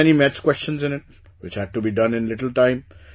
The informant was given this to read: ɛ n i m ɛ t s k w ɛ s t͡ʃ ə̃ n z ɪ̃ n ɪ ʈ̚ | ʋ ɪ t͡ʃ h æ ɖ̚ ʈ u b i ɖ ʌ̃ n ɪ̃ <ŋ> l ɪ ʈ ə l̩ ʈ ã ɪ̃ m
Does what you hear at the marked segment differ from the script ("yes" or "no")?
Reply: yes